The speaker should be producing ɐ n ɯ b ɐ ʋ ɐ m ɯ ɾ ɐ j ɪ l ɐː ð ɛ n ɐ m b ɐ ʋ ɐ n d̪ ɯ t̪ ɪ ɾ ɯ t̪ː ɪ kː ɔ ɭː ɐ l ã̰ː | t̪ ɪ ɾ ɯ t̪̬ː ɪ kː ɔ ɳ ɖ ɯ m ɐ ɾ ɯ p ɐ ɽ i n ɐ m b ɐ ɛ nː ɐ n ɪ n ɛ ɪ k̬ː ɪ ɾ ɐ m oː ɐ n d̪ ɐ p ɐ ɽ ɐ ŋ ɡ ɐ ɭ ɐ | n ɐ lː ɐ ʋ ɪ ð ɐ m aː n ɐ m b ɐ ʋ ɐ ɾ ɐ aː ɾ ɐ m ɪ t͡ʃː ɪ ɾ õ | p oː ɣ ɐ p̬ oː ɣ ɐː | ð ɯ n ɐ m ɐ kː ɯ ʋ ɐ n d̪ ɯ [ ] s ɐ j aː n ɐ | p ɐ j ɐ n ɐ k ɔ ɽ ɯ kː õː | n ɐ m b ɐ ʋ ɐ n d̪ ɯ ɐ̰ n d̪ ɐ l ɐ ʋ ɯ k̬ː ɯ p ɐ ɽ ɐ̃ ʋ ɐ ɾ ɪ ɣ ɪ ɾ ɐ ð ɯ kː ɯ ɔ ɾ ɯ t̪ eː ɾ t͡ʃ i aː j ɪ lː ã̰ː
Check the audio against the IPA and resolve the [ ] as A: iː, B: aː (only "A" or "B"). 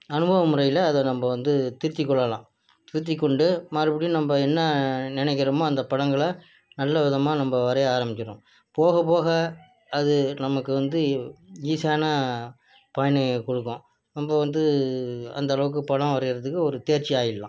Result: A